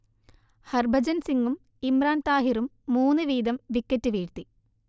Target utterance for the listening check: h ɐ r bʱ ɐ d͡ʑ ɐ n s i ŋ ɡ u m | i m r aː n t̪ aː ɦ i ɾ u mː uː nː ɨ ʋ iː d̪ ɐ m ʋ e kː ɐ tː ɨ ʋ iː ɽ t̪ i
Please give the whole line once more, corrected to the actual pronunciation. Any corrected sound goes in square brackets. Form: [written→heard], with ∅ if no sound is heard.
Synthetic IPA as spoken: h ɐ r bʱ ɐ d͡ʑ ɐ n s i ŋ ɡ u m | i m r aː n t̪ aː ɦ i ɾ u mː uː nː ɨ ʋ iː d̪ ɐ m ʋ [e→i] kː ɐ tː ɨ ʋ iː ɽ t̪ i